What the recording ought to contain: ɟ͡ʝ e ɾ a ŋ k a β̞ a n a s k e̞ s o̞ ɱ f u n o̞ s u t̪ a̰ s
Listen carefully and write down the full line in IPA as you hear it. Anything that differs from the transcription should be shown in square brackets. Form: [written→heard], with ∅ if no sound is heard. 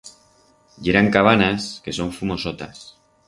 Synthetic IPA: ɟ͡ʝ e ɾ a ŋ k a β̞ a n a s k e̞ s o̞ ɱ f u [n→m] o̞ s [u→o] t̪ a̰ s